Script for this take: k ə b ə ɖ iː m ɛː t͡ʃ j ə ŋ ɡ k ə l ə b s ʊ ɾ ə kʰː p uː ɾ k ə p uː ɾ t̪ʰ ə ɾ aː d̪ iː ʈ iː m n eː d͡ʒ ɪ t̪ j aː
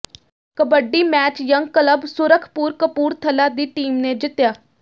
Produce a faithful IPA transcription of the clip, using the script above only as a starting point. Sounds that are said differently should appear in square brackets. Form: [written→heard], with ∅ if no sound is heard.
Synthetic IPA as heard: k ə b ə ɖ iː m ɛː t͡ʃ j ə ŋ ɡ k ə l ə b s ʊ ɾ ə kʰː p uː ɾ k ə p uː ɾ t̪ʰ ə [ɾ→l] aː d̪ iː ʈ iː m n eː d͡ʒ ɪ t̪ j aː